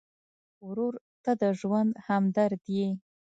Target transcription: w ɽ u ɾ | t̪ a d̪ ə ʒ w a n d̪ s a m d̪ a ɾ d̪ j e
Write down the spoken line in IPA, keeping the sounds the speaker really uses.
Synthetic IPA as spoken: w ɾ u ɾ | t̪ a d̪ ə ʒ w a n d̪ h a m d̪ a ɾ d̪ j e